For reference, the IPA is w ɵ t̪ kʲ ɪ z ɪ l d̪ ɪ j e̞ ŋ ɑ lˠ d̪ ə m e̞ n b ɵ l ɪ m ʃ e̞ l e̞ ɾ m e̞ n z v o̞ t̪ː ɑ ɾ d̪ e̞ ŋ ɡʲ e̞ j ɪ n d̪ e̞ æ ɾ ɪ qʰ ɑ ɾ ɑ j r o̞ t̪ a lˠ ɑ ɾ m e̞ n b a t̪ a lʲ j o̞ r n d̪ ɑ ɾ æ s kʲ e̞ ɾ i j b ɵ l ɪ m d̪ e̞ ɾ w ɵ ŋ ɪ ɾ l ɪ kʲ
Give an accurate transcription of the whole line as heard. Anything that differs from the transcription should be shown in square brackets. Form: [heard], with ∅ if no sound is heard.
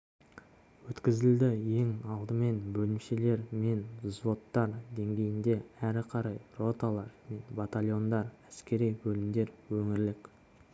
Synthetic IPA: w ɵ t̪ kʲ ɪ z ɪ l d̪ ɪ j e̞ ŋ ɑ lˠ d̪ ə m e̞ n b ɵ l ɪ m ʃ e̞ l e̞ ɾ m e̞ n z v o̞ t̪ː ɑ ɾ d̪ e̞ ŋ ɡʲ e̞ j ɪ n d̪ e̞ æ ɾ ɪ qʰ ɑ ɾ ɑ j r o̞ t̪ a lˠ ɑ ɾ m e̞ n b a t̪ a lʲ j o̞ [∅] n d̪ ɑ ɾ æ s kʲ e̞ ɾ i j b ɵ l ɪ m d̪ e̞ ɾ w ɵ ŋ ɪ ɾ l ɪ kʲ

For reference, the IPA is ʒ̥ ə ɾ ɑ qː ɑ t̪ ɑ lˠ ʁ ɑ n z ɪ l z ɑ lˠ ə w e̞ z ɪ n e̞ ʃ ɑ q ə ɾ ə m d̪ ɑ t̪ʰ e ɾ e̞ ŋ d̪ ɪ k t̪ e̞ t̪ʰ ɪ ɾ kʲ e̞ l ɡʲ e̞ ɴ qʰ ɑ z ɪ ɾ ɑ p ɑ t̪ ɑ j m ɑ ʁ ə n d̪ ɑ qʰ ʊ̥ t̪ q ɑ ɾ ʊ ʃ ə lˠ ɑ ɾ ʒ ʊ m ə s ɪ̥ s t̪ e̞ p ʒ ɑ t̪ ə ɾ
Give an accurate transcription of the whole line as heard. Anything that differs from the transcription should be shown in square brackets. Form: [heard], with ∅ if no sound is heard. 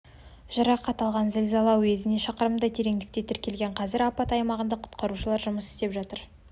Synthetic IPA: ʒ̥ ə ɾ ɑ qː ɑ t̪ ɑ lˠ ʁ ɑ n z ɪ l z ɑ lˠ [ɑ] w e̞ z ɪ n e̞ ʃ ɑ q ə ɾ ə m d̪ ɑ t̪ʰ e ɾ e̞ ŋ d̪ ɪ k t̪ e̞ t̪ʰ ɪ ɾ kʲ e̞ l ɡʲ e̞ ɴ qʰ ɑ z ɪ ɾ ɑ p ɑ t̪ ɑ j m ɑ ʁ ə n d̪ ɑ qʰ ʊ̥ t̪ q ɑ ɾ [u] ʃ ə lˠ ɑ ɾ ʒ ʊ m ə s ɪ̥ s t̪ e̞ p ʒ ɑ t̪ ə ɾ

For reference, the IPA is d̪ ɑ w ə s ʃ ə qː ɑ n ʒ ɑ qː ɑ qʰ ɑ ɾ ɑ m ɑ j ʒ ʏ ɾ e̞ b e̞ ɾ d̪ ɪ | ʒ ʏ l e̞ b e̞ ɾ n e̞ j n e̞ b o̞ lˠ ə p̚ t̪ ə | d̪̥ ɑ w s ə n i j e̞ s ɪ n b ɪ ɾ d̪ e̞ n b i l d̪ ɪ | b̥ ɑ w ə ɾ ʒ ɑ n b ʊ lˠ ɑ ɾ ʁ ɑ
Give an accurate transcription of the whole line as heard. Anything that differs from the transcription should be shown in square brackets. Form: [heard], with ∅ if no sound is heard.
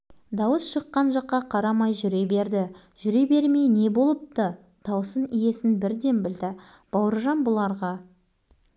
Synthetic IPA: d̪ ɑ w ə s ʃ ə qː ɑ n ʒ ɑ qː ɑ qʰ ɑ ɾ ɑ m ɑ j ʒ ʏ ɾ e̞ b e̞ ɾ d̪ ɪ | ʒ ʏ [ɾ] e̞ b e̞ ɾ [m] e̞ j n e̞ b o̞ lˠ ə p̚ t̪ ə | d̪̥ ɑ w s ə n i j e̞ s ɪ n b ɪ ɾ d̪ e̞ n b [ɪ] l d̪ ɪ | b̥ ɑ w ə ɾ ʒ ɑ n b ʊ lˠ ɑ ɾ ʁ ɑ

